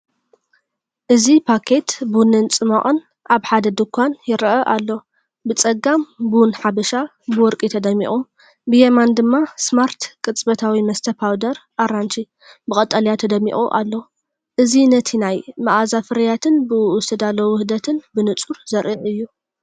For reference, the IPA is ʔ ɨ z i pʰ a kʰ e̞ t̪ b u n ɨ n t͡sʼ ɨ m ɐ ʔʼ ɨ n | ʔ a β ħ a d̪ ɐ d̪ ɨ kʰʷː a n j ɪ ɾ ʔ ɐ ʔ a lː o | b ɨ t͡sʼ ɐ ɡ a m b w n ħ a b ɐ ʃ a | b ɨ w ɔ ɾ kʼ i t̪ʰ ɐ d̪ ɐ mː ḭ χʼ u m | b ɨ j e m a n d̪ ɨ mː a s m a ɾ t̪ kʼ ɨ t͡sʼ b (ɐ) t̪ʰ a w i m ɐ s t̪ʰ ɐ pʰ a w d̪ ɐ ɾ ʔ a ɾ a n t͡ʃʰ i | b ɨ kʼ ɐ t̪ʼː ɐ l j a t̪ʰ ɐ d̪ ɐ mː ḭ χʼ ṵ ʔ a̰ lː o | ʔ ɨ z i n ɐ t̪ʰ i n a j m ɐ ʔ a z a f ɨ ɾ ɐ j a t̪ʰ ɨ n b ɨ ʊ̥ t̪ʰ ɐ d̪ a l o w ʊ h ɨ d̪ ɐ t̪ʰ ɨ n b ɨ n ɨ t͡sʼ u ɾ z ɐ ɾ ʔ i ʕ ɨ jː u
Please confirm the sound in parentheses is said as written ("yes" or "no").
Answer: yes